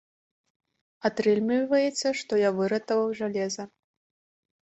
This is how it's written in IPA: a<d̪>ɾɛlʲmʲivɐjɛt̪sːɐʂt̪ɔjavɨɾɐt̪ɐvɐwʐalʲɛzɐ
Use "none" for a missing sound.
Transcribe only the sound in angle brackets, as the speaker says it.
t̪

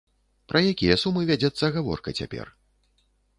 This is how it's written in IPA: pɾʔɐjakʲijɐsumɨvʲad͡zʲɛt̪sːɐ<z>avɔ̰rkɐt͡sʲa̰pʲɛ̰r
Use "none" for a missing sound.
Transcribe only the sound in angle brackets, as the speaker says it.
ɣ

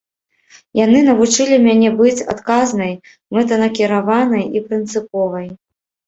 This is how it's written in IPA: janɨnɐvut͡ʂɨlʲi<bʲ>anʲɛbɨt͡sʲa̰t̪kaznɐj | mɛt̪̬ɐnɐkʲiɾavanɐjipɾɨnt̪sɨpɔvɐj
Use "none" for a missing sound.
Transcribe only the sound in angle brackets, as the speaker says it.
mʲ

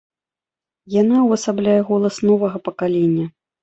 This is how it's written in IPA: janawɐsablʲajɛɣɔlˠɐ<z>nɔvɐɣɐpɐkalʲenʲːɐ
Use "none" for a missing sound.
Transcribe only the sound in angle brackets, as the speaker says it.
s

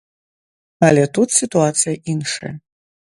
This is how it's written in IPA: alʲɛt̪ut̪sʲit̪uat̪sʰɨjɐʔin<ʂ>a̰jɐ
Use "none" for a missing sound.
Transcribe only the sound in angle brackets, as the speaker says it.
ʂ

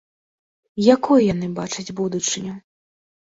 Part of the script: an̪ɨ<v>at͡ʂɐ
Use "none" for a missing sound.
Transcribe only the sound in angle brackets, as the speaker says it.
b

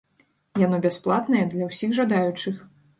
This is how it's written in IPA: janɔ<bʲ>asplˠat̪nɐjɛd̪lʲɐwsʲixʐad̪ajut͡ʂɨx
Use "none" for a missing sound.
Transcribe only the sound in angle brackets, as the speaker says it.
bʲ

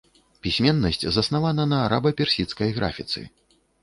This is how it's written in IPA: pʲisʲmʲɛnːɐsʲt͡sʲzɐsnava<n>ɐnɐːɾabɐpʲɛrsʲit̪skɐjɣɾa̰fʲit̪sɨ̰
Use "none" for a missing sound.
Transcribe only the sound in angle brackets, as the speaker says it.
n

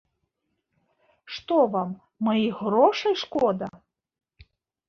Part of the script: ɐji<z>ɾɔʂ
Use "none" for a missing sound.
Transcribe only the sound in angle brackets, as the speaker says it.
ɣ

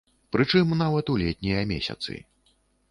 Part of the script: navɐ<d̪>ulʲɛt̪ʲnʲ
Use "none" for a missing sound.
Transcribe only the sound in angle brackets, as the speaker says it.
t̪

